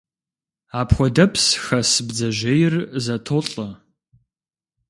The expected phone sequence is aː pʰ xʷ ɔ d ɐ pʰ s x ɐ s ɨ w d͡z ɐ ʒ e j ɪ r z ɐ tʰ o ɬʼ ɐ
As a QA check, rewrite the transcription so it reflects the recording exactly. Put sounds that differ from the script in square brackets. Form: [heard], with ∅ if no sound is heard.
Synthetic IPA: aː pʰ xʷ ɔ d ɐ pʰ s x ɐ s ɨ [b] d͡z ɐ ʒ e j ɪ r z ɐ tʰ o ɬʼ ɐ